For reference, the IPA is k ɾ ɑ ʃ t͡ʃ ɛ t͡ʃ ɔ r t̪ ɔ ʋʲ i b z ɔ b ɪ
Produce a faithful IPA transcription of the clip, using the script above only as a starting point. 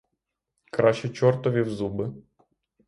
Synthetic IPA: k ɾ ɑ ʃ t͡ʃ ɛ t͡ʃ ɔ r t̪ ɔ ʋʲ i w z u b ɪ